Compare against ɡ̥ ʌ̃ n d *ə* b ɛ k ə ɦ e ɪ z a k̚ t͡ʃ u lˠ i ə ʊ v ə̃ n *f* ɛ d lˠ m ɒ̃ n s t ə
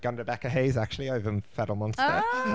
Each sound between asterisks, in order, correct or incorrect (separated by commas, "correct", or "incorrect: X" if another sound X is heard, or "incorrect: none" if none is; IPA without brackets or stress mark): correct, correct